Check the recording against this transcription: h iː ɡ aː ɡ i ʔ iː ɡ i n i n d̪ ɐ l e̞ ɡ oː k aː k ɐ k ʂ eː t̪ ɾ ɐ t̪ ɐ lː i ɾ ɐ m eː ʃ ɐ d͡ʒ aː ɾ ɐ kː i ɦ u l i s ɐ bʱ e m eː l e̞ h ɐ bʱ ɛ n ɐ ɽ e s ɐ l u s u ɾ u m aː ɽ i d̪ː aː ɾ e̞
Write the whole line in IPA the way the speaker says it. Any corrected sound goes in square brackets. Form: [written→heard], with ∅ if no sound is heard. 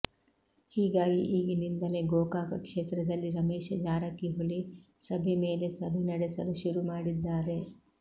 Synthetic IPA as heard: h iː ɡ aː ɡ i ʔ iː ɡ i n i n d̪ ɐ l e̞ ɡ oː k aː k ɐ k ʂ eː t̪ ɾ ɐ [t̪→d̪] ɐ lː i ɾ ɐ m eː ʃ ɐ d͡ʒ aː ɾ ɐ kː i ɦ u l i s ɐ bʱ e m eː l e̞ [h→s] ɐ bʱ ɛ n ɐ ɽ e s ɐ l u [s→ʃ] u ɾ u m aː ɽ i d̪ː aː ɾ e̞